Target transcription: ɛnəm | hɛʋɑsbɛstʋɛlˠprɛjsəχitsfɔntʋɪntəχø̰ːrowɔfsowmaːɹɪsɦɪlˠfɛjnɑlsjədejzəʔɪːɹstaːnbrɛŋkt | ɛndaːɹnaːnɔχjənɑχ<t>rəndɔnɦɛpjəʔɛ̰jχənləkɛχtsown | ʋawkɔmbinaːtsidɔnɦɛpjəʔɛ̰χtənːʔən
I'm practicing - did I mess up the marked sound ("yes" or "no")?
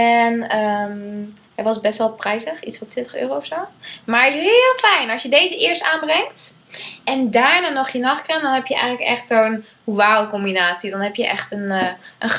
yes